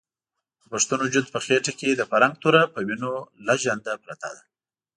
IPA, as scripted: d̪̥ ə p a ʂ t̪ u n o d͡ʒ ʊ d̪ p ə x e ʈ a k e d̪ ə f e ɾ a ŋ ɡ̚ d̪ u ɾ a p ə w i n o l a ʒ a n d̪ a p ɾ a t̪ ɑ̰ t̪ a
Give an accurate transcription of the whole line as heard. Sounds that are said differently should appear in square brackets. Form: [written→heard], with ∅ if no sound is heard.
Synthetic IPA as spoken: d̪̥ ə p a ʂ t̪ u n o d͡ʒ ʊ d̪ p ə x e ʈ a k e d̪ ə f [e→a] ɾ a ŋ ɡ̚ [d̪→t̪] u ɾ a p ə w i n o l a ʒ a n d̪ a p ɾ a t̪ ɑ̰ [t̪→d̪] a